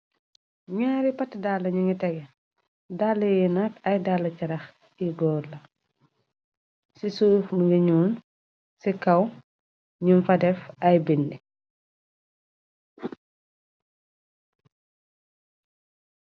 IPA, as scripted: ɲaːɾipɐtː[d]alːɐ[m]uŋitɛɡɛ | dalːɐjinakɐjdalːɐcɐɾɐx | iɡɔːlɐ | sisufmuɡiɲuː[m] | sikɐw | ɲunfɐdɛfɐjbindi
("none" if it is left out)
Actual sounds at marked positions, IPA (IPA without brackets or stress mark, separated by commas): d, ɲ, n